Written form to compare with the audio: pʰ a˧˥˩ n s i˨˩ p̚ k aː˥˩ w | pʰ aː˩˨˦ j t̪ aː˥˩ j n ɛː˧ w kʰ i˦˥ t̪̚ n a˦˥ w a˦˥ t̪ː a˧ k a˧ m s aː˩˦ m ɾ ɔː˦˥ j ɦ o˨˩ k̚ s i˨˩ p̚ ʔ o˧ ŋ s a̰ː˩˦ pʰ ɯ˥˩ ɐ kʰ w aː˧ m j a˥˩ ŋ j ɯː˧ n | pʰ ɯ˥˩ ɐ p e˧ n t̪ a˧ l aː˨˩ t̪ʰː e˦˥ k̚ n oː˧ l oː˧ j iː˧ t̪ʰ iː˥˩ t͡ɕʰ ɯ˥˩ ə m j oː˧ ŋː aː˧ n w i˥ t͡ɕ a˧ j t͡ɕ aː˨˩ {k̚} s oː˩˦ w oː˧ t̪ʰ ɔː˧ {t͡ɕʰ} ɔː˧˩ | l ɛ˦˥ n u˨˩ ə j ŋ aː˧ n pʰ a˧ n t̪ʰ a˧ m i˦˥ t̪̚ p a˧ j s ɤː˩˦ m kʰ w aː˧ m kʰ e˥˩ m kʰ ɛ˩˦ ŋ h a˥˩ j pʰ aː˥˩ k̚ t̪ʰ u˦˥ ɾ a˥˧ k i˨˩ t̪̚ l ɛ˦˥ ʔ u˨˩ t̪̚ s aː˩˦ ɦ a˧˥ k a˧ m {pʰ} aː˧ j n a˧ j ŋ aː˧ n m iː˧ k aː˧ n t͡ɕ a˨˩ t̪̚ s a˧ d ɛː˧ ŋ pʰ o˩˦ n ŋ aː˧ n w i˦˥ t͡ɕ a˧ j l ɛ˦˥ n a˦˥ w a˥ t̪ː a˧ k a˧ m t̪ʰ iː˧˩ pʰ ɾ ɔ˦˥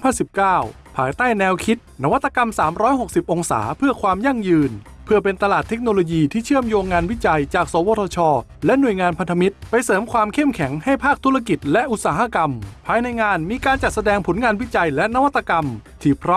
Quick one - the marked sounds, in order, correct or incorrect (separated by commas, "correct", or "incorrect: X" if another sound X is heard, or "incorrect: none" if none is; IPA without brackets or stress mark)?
correct, correct, correct